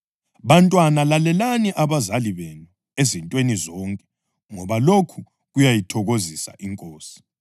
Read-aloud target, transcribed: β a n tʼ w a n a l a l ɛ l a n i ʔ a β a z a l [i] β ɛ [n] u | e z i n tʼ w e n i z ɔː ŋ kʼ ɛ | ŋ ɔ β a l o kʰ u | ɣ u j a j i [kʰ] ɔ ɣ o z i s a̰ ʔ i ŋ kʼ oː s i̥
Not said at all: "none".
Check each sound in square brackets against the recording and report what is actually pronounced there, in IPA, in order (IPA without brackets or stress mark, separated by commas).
i, n, tʰ